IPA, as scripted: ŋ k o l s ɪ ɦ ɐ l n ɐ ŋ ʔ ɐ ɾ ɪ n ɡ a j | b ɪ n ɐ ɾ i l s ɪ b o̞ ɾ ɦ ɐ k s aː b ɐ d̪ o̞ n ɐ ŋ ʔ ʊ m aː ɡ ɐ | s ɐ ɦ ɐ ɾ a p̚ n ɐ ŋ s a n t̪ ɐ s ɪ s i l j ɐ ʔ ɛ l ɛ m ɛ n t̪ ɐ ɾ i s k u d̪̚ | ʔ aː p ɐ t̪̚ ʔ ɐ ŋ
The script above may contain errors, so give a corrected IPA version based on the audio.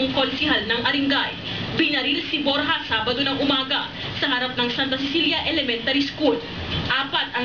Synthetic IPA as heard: ŋ k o l s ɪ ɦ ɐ l n ɐ ŋ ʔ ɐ ɾ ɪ ŋ ɡ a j | b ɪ n ɐ ɾ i l s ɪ b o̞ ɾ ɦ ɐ s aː b ɐ d̪ o̞ n ɐ ŋ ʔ ʊ m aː ɡ ɐ | s ɐ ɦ ɐ ɾ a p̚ n ɐ ŋ s a n t̪ ɐ s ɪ s i l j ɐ ʔ ɛ l ɛ m ɛ n t̪ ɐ ɾ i s k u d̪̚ | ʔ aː p ɐ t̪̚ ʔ ɐ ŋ

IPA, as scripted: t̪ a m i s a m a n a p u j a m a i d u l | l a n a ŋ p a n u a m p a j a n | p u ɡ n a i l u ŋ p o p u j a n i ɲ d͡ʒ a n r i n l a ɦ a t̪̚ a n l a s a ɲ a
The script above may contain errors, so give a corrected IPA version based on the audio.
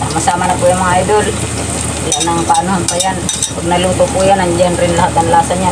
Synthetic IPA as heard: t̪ a m a s a m a n a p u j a m a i d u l | l a n a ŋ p a n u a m p a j a n | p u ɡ n a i l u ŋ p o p u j a n a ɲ d͡ʒ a n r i n l a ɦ a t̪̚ a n l a s a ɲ a

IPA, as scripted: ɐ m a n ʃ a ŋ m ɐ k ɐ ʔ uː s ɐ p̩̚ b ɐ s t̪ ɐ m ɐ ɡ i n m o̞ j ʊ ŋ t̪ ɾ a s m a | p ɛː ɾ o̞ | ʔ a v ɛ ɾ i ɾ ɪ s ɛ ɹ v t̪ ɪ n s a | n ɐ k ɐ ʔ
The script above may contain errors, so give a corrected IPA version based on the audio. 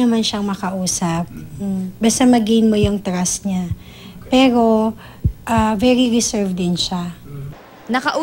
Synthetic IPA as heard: ɐ m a n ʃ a ŋ m ɐ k ɐ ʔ uː s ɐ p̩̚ b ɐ s t̪ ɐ m ɐ ɡ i n m o̞ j ʊ ŋ t̪ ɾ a s ɲ a | p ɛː ɾ o̞ | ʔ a v ɛ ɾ i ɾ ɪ s ɛ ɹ v d̪ ɪ n ʃ a | n ɐ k ɐ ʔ

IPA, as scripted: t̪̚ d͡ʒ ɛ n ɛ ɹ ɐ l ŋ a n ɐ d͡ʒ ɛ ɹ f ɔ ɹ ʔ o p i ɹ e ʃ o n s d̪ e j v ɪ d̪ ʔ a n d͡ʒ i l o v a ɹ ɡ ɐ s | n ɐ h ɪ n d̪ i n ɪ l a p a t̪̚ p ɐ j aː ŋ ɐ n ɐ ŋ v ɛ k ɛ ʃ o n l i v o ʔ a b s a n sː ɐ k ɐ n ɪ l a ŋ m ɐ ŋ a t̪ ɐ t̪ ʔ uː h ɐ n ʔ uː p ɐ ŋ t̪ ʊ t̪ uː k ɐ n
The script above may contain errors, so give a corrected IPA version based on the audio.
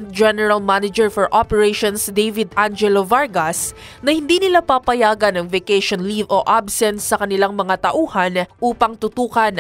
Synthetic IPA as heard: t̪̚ d͡ʒ ɛ n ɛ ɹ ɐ l m a n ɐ d͡ʒ ɛ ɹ f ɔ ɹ ʔ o p ɛ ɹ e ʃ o n s d̪ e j v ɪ d̪ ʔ a n d͡ʒ ɛ l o v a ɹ ɡ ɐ s | n ɐ h ɪ n d̪ i n ɪ l a p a p ɐ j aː ɡ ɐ n ɐ ŋ v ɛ k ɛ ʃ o n l i v o ʔ a b s ɛ n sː ɐ k ɐ n ɪ l a ŋ m ɐ ŋ a t̪ ɐ ʔ uː h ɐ n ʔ uː p ɐ ŋ t̪ ʊ t̪ uː k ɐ n

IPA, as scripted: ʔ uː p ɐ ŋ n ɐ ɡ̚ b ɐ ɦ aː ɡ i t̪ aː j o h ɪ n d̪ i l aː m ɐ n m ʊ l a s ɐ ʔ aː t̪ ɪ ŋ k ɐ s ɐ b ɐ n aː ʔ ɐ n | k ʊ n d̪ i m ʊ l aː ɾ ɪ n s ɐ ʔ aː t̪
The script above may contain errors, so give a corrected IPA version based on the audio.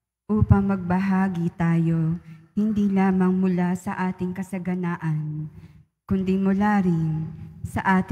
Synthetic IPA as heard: ʔ uː p ɐ ŋ m ɐ ɡ̚ b ɐ ɦ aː ɡ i t̪ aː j o h ɪ n d̪ i l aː m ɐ ŋ m ʊ l a s ɐ ʔ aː t̪ ɪ ŋ k ɐ s ɐ ɡ ɐ n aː ʔ ɐ n | k ʊ n d̪ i m ʊ l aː ɾ ɪ n s ɐ ʔ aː t̪

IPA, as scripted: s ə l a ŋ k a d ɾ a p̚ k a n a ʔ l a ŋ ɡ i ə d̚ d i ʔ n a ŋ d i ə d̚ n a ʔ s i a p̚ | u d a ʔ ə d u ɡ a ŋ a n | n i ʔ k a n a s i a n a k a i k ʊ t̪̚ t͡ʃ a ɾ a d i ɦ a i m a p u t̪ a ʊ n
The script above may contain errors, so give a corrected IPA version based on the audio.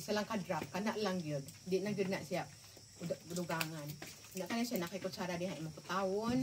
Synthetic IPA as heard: s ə l a ŋ k a d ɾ a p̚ k a n a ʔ l a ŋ ɡ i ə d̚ d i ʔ n a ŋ ɡ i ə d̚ n a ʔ s i a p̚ | u d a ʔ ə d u ɡ a ŋ a n | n a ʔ k a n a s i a n a k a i k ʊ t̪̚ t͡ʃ a ɾ a d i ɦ a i m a p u t̪ a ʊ n

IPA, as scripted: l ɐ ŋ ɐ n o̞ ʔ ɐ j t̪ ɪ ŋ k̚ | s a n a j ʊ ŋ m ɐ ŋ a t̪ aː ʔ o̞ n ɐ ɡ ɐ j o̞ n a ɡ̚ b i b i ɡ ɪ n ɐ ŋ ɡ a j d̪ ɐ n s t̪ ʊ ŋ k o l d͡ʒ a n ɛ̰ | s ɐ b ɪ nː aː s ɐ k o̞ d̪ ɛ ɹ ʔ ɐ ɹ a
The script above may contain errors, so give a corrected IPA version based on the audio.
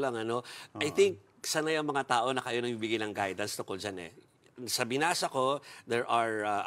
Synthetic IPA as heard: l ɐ ŋ ɐ n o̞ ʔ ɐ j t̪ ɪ ŋ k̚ | s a n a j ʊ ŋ m ɐ ŋ a t̪ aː ʔ o̞ n ɐ k ɐ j o̞ n ɐ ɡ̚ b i b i ɡ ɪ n ɐ ŋ ɡ a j d̪ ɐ n s t̪ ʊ ŋ k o l d͡ʒ a n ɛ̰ | s ɐ b ɪ n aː s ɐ k o̞ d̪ ɛ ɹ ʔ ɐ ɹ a

